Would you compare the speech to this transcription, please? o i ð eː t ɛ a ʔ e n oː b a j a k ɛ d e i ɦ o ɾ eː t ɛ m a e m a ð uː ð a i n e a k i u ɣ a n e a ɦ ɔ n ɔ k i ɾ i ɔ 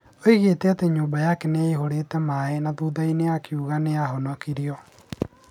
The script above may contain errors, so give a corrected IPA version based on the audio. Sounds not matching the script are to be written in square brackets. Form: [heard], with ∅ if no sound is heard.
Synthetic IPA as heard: o i [ɣ] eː t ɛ a [t] e [ɲ] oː b a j a k ɛ [n] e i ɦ o ɾ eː t ɛ m a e [n] a ð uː ð a i n e a k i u ɣ a n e a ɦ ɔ n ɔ k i ɾ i ɔ

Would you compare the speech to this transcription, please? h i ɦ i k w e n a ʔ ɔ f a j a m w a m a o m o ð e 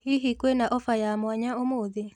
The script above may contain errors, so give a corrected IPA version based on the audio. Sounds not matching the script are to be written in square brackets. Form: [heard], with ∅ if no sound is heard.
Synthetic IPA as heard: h i ɦ i k w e n a ʔ ɔ f a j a m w a [ɲ] a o m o ð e

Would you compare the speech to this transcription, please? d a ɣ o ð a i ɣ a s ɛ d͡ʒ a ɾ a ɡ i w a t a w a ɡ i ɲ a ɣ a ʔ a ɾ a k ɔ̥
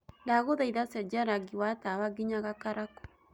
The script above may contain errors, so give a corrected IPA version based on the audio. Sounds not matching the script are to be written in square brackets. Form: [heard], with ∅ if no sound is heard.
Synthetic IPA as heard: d a ɣ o ð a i [ð] a s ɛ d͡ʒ a ɾ a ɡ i w a t a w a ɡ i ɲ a ɣ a [k] a ɾ a k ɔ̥

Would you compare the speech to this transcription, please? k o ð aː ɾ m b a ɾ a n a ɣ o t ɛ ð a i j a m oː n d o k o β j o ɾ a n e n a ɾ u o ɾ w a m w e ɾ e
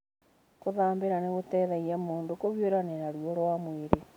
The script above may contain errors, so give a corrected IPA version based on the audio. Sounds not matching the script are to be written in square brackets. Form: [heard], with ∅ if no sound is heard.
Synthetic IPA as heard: k o ð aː [∅] m b [e] ɾ a n [e] ɣ o t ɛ ð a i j a m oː n d o k o β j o ɾ a n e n a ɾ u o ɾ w a m w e ɾ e

